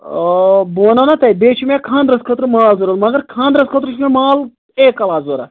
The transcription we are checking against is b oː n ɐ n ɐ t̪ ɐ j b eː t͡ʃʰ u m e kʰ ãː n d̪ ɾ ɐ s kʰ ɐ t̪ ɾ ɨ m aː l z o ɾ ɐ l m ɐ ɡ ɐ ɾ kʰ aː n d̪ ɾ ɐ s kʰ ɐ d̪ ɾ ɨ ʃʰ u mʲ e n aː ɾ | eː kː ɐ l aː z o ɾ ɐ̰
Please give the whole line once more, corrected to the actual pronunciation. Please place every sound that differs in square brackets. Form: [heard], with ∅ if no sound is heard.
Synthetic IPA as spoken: b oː n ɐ n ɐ t̪ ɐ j b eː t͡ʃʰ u m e kʰ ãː n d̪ ɾ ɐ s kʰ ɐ t̪ ɾ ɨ m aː l z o ɾ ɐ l m ɐ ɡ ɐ ɾ kʰ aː n d̪ ɾ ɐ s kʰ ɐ [t̪] ɾ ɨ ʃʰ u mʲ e [m] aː [l] | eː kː ɐ l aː z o ɾ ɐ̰